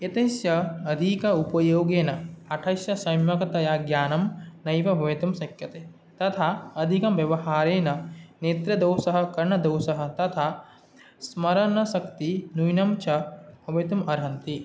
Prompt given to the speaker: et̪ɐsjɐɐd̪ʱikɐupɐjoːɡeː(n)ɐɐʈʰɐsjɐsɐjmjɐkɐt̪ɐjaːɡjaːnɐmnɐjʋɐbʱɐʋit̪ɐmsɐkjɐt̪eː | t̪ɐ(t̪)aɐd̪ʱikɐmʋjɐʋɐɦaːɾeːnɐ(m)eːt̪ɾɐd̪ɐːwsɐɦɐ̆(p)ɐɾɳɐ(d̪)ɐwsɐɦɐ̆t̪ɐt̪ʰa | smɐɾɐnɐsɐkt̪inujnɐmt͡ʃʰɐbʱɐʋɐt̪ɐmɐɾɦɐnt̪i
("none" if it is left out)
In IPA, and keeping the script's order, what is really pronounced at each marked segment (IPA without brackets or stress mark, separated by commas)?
n, t̪ʰ, n, k, d̪